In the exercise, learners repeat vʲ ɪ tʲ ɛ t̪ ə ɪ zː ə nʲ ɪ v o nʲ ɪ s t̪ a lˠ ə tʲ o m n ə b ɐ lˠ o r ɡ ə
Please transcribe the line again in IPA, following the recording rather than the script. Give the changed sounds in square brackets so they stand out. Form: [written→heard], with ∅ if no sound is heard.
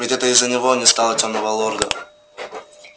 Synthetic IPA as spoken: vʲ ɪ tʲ ɛ t̪ ə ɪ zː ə nʲ ɪ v o nʲ ɪ s t̪ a lˠ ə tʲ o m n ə [b→v] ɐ lˠ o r ɡ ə

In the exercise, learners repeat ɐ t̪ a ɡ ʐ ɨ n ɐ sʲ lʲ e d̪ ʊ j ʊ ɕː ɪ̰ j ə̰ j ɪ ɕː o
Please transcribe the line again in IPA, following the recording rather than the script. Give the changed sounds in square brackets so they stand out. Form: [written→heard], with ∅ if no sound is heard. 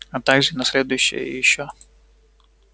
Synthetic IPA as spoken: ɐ t̪ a ɡ ʐ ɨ n ɐ sʲ lʲ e d̪ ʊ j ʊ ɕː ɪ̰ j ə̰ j ɪ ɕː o

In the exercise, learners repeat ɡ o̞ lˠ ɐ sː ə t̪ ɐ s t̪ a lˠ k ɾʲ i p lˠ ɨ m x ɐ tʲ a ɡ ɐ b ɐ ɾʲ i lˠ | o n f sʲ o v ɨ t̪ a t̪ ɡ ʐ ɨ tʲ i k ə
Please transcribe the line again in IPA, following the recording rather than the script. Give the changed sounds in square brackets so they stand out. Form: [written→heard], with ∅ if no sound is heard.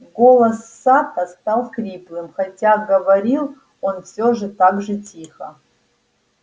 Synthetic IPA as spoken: ɡ o̞ lˠ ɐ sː [ə→a] t̪ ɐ s t̪ a lˠ k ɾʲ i p lˠ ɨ m x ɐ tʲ a ɡ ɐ [b→v] ɐ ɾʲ i lˠ | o n f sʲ o [v→ʐ] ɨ t̪ a [t̪→∅] ɡ ʐ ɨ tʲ i [k→x] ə

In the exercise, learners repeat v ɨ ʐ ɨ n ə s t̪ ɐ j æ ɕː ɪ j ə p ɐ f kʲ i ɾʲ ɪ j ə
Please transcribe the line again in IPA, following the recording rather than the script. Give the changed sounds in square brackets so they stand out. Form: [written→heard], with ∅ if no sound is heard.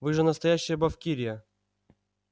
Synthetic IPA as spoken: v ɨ ʐ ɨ n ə s t̪ ɐ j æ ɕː ɪ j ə [p→b] ɐ f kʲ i ɾʲ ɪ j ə

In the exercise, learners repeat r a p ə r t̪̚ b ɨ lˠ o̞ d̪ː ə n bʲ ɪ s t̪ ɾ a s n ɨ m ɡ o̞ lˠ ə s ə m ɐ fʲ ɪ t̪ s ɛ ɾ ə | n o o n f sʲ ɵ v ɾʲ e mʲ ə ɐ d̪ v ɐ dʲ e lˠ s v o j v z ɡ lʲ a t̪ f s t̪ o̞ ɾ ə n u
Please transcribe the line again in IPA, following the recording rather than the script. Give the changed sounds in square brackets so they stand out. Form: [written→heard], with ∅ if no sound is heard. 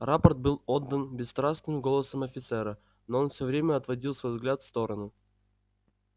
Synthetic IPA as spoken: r a p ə r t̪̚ b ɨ lˠ o̞ d̪ː ə n bʲ ɪ s t̪ ɾ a s n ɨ m ɡ o̞ lˠ ə s ə m ɐ fʲ ɪ t̪ s ɛ ɾ ə | n o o n f sʲ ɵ v ɾʲ e mʲ ə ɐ [d̪→t̪] v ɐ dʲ [e→i] lˠ s v o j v z ɡ lʲ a t̪ f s t̪ o̞ ɾ ə n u

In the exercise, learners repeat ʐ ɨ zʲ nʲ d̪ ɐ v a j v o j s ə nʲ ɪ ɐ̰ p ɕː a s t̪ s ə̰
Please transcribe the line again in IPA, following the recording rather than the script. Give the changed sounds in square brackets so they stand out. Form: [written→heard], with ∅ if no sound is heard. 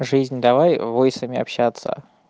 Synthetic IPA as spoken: ʐ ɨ zʲ nʲ d̪ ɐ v a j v o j s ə [nʲ→mʲ] ɪ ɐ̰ p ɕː a [s→∅] t̪ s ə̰

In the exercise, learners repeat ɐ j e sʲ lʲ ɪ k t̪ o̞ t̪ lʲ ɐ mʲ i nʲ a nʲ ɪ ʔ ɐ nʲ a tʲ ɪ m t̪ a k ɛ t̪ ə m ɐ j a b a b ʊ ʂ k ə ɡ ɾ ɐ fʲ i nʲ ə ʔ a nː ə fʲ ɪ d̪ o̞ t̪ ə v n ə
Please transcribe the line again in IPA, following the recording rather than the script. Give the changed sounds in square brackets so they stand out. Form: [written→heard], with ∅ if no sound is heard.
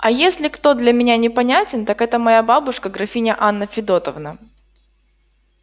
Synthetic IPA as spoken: ɐ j e sʲ lʲ ɪ k t̪ o̞ [t̪→d̪] lʲ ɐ mʲ [i→ɪ] nʲ a nʲ ɪ [ʔ→p] ɐ nʲ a tʲ ɪ [m→n] t̪ a k ɛ t̪ ə m ɐ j a b a b ʊ ʂ k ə ɡ ɾ ɐ fʲ i nʲ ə ʔ a nː ə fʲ ɪ d̪ o̞ t̪ ə v n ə

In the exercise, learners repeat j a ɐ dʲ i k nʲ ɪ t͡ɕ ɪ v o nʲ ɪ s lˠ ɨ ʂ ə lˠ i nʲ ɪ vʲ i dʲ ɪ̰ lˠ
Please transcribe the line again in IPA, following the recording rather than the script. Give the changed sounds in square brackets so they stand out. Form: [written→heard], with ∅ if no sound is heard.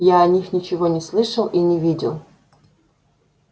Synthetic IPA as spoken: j a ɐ [dʲ→nʲ] i [k→x] nʲ ɪ t͡ɕ ɪ v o nʲ ɪ s lˠ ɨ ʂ ə lˠ i nʲ ɪ vʲ i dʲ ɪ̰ lˠ

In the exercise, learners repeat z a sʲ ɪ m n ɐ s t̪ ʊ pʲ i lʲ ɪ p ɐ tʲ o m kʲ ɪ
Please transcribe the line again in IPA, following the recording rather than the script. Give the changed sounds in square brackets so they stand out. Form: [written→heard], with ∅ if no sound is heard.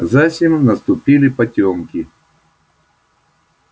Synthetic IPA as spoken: z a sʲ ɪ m n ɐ s t̪ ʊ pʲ i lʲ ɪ p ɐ tʲ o m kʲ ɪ

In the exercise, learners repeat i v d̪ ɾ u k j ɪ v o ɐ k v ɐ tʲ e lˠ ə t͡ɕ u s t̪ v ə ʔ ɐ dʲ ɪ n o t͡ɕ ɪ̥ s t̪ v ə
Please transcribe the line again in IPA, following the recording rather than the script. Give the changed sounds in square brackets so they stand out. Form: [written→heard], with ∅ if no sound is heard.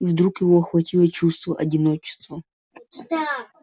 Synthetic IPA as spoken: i v d̪ ɾ u k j ɪ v o ɐ [k→x] v ɐ tʲ [e→i] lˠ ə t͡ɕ u s t̪ v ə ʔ ɐ dʲ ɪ n o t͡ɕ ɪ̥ s t̪ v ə

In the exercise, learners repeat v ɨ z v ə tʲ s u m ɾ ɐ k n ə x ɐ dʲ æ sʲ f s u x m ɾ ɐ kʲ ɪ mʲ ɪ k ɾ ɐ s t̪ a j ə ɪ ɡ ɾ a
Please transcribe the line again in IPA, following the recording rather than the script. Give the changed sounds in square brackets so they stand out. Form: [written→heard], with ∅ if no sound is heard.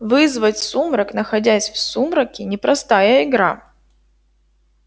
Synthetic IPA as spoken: v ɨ z v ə tʲ s u m ɾ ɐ k n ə x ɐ dʲ æ sʲ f s u [x→∅] m ɾ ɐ kʲ ɪ [mʲ→nʲ] ɪ [k→p] ɾ ɐ s t̪ a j ə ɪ ɡ ɾ a

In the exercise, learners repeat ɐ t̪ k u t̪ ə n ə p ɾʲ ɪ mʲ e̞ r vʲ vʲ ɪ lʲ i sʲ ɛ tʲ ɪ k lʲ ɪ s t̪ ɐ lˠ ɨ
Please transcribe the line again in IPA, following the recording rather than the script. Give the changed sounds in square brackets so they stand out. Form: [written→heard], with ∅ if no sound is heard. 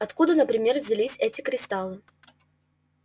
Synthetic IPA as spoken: ɐ t̪ k u [t̪→d̪] ə n ə p ɾʲ ɪ mʲ e̞ r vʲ [vʲ→zʲ] ɪ lʲ i sʲ ɛ tʲ ɪ k [lʲ→ɾʲ] ɪ s t̪ [ɐ→a] lˠ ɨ

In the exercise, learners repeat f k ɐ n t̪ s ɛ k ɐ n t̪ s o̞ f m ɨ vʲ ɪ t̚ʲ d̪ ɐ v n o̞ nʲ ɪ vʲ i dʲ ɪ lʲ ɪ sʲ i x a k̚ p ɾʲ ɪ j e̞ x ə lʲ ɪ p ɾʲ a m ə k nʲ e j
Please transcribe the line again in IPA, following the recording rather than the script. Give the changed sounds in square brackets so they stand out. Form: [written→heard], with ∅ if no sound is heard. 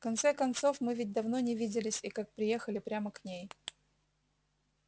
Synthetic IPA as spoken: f k ɐ n t̪ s ɛ k ɐ n t̪ s o̞ f m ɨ vʲ ɪ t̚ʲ d̪ ɐ v n o̞ nʲ ɪ vʲ i dʲ ɪ lʲ ɪ sʲ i [x→k] a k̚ p ɾʲ ɪ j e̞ x ə lʲ ɪ p ɾʲ a m ə k nʲ e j

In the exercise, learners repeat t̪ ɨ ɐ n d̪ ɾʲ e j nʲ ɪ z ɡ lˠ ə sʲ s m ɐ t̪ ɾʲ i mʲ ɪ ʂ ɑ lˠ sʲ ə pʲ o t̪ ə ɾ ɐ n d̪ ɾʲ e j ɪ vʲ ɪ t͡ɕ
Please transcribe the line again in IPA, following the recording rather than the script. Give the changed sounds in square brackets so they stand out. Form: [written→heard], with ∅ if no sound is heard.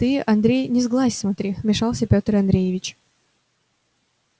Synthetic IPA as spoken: t̪ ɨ ɐ n d̪ ɾʲ e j nʲ ɪ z ɡ lˠ [ə→a] sʲ s m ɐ t̪ ɾʲ i mʲ ɪ ʂ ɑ lˠ sʲ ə pʲ o t̪ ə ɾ ɐ n d̪ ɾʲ e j ɪ vʲ ɪ t͡ɕ

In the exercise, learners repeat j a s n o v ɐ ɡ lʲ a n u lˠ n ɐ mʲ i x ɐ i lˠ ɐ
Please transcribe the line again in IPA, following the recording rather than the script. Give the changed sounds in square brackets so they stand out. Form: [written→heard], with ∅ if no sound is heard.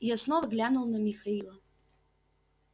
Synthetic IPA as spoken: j a s n o v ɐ ɡ lʲ a n u lˠ n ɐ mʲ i x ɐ i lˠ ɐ

